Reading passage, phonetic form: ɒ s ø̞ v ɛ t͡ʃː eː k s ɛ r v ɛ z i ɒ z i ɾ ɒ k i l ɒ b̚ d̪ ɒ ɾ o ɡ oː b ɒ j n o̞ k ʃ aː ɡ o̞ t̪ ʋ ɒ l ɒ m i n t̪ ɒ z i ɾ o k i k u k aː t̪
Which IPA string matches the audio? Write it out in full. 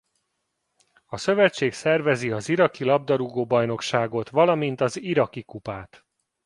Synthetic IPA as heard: ɒ s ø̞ v ɛ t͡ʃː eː k s ɛ r v ɛ z i ɒ z i ɾ ɒ k i l ɒ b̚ d̪ ɒ ɾ u ɡ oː b ɒ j n o̞ k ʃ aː ɡ o̞ t̪ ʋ ɒ l ɒ m i n t̪ ɒ z i ɾ ɒ k i k u p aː t̪